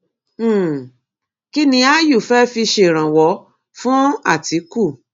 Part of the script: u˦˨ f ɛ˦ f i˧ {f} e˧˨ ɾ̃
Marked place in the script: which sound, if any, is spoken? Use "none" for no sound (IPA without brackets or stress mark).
ʃ